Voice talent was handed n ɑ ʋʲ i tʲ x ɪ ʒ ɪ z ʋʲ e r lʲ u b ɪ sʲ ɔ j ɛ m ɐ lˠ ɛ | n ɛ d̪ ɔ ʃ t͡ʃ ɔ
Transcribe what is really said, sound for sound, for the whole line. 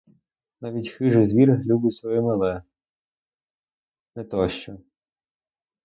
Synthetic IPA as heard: n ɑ ʋʲ i tʲ x ɪ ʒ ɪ z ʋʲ i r lʲ u b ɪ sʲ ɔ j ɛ m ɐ lˠ ɛ | n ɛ t̪ ɔ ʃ t͡ʃ ɔ